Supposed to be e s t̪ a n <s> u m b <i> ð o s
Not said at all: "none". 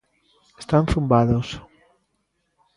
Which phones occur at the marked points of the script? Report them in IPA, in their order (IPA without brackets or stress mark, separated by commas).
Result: θ, a